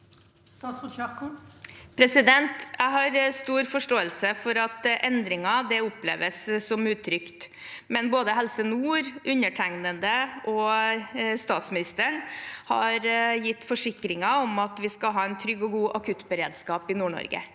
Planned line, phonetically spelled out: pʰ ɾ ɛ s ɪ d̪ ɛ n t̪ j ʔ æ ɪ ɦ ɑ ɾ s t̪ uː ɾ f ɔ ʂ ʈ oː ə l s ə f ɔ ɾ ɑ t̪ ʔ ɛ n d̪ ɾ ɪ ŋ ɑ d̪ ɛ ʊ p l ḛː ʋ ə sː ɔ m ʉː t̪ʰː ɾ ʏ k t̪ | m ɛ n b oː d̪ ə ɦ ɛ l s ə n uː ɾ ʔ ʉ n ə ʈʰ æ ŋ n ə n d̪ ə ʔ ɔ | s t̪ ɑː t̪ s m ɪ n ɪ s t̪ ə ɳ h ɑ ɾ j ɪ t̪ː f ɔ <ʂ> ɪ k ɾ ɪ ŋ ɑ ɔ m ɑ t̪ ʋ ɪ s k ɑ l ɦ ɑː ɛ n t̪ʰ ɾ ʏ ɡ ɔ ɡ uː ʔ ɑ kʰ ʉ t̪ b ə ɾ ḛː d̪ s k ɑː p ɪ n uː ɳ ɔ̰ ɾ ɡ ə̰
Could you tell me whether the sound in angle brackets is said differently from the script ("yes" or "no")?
no